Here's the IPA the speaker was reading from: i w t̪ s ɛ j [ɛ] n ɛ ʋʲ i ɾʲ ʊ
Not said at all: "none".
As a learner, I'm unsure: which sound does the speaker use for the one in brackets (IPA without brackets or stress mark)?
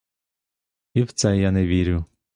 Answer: a